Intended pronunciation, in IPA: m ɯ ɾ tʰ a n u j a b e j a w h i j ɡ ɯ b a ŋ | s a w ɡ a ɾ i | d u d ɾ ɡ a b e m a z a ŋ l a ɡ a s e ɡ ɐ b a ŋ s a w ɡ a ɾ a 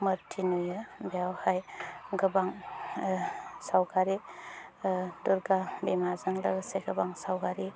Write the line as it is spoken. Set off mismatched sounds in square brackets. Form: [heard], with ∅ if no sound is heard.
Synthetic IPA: m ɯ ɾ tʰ [i] n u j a b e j a w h [a] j ɡ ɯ b a ŋ | s a w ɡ a ɾ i | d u [∅] ɾ ɡ a b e m a z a ŋ l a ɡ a s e ɡ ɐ b a ŋ s a w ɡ a ɾ [i]